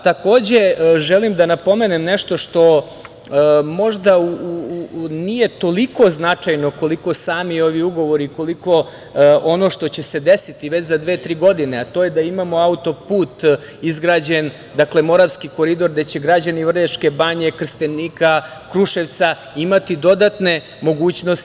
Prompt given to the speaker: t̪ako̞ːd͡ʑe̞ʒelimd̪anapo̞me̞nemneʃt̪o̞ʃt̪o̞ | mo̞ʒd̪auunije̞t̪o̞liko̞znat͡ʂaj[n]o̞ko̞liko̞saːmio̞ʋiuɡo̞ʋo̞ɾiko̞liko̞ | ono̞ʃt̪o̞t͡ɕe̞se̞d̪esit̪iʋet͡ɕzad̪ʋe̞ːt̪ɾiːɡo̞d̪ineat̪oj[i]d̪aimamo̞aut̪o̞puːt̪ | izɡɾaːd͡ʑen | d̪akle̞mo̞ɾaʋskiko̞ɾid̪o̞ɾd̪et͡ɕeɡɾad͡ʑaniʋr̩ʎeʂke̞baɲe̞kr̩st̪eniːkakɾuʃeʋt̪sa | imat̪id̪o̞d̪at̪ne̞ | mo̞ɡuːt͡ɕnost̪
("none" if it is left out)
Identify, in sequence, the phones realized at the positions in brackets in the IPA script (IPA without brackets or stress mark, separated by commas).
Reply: n, e